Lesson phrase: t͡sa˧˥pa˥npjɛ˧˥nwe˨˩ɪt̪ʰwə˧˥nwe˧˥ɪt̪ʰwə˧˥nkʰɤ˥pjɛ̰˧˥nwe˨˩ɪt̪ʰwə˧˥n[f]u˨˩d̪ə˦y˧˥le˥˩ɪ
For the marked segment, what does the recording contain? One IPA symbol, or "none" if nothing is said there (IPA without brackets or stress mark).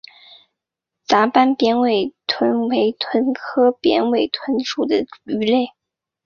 ʂ